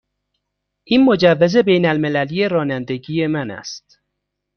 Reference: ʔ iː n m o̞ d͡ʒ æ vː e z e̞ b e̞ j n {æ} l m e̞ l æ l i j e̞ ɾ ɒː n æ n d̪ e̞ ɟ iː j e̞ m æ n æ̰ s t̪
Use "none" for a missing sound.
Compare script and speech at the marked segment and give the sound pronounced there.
æ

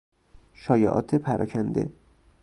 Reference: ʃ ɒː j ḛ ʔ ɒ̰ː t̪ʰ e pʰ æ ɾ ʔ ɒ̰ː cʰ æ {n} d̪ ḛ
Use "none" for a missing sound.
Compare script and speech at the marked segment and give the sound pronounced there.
n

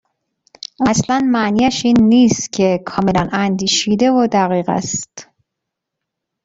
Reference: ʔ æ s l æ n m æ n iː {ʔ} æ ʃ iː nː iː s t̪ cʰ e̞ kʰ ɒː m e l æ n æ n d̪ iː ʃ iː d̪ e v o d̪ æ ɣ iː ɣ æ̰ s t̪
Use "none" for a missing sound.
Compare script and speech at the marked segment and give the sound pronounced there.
none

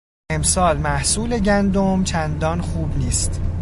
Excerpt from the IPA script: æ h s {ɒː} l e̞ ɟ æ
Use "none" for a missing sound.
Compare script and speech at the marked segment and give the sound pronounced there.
uː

